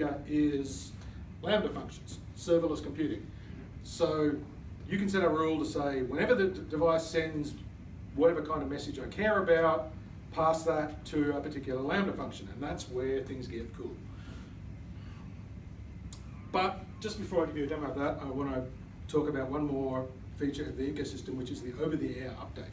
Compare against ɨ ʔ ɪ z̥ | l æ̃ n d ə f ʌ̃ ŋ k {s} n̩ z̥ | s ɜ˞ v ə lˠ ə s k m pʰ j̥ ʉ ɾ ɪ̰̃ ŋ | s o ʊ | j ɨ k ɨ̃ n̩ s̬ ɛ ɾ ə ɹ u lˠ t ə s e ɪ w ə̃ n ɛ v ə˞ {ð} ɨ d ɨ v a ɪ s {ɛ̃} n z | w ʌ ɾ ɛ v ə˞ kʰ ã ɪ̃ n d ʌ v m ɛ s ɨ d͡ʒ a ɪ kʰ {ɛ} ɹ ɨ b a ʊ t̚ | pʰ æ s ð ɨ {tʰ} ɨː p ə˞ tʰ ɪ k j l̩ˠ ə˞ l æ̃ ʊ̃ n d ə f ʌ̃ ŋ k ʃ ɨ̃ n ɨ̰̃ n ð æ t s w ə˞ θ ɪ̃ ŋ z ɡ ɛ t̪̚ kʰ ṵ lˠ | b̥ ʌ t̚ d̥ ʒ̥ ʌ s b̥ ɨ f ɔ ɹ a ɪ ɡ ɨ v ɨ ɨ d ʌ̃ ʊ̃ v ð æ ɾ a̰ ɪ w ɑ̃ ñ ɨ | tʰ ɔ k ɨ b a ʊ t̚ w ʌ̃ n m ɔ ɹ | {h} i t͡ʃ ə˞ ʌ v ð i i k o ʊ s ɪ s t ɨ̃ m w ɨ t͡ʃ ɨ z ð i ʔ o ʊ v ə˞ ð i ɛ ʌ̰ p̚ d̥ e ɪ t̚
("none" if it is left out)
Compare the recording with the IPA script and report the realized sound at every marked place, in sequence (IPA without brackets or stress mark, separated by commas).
ʃ, ð, ɛ̃, ɛ, tʰ, f